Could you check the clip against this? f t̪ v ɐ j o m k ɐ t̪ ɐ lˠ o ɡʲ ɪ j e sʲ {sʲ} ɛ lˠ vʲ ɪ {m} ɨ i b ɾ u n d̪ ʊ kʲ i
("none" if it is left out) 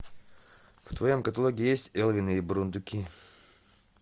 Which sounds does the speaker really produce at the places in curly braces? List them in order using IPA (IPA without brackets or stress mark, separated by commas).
tʲ, n